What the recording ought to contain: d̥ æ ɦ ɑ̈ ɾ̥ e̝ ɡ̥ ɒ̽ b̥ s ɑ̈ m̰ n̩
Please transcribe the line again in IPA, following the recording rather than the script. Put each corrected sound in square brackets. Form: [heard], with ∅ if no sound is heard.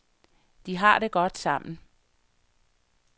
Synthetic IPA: d̥ [i] ɦ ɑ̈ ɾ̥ e̝ ɡ̥ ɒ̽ [d̥] s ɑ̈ m̰ n̩